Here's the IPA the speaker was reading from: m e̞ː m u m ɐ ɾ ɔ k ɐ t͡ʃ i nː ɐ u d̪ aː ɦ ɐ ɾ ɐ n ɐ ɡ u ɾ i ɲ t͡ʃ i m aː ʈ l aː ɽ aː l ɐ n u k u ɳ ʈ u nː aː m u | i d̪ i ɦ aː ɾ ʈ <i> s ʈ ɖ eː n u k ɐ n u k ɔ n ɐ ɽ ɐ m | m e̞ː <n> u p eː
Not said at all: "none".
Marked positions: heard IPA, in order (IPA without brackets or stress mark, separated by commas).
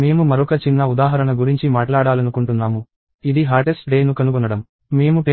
e, m